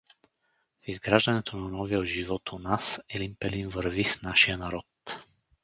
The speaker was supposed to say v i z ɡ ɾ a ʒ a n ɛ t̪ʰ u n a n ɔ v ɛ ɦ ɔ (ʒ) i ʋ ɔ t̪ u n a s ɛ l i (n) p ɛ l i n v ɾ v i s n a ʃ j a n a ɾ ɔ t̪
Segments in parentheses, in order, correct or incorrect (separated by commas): correct, incorrect